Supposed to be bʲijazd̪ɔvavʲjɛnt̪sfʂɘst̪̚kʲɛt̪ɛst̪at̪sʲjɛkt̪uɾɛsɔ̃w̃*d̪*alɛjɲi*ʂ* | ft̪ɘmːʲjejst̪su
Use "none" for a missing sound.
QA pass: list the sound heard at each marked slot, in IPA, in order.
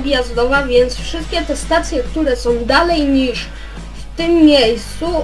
d̪, ʂ

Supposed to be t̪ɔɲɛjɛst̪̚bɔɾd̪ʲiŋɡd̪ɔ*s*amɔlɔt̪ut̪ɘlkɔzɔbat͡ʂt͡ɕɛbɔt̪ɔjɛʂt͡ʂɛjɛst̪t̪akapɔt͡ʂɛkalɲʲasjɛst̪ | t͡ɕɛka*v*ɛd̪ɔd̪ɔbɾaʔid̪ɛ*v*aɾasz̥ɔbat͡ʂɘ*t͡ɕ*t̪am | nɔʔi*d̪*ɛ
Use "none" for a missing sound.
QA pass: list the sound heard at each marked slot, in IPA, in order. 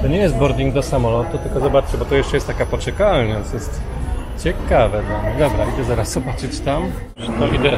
s, v, z, t͡ɕ, d̪

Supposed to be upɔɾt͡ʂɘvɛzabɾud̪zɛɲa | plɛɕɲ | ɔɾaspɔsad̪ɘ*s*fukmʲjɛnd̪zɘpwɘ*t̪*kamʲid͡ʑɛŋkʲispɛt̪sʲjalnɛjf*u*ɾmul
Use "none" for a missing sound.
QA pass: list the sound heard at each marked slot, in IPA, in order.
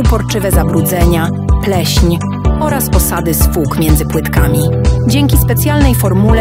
s, t̪, ɔ

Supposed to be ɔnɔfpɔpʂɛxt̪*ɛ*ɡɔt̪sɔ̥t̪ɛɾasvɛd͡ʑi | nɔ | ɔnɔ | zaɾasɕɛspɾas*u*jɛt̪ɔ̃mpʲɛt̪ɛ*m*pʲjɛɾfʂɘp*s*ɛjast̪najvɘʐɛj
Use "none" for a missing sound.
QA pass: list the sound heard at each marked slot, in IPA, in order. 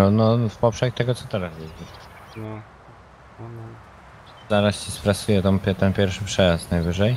ɛ, u, n, ʂ

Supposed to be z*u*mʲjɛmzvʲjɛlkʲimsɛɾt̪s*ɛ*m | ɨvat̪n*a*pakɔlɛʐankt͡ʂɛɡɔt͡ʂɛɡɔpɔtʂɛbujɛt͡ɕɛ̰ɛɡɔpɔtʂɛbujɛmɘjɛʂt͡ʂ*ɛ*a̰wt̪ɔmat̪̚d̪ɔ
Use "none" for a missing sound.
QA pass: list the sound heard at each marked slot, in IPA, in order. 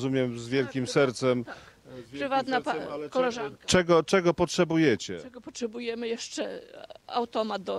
u, ɛ, a, ɛ

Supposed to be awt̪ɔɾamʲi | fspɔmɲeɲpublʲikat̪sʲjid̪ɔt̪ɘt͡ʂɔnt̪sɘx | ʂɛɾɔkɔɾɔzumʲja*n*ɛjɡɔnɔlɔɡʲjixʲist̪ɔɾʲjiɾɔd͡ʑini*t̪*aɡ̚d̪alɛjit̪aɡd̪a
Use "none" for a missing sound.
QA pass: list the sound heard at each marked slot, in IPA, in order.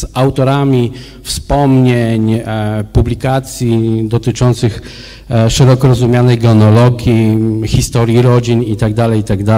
n, t̪

